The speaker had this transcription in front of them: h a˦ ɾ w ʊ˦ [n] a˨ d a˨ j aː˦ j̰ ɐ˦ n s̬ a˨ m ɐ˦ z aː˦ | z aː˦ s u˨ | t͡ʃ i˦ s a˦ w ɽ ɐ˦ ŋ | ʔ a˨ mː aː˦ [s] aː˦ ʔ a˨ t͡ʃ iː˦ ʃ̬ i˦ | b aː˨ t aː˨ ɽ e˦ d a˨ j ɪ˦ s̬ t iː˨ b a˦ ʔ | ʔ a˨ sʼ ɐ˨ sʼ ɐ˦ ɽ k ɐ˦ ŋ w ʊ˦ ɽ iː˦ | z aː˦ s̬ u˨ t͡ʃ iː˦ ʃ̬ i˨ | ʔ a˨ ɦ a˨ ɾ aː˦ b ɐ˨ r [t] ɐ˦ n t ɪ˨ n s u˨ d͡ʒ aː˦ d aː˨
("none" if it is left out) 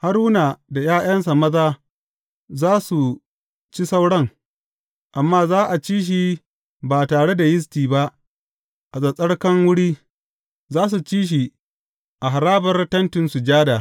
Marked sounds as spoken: n, z, t

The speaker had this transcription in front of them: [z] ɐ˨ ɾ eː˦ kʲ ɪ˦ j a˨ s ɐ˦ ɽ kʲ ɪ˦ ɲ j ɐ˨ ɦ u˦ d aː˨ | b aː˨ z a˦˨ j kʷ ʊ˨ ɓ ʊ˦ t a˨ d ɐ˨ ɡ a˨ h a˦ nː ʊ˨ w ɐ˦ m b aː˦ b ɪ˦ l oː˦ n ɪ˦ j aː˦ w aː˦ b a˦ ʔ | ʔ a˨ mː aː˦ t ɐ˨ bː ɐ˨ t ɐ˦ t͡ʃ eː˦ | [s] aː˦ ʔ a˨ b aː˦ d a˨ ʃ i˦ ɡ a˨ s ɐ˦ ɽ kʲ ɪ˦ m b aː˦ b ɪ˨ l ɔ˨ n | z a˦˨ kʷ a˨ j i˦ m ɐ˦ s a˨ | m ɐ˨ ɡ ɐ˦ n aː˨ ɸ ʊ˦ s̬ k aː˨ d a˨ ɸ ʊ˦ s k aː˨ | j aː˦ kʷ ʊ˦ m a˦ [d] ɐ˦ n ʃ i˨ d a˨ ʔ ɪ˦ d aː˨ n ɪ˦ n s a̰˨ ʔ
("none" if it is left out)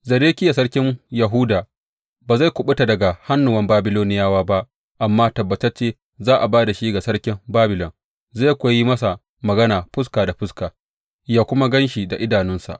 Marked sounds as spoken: z, z, ɡ

